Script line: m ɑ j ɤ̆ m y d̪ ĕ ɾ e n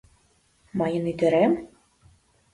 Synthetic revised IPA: m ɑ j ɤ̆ n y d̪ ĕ ɾ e m